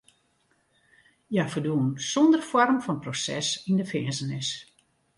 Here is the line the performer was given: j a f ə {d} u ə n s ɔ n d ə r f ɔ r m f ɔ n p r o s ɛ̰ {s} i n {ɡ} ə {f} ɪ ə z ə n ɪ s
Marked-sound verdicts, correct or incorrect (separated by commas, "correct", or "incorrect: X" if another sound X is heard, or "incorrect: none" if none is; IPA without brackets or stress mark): correct, correct, incorrect: d, correct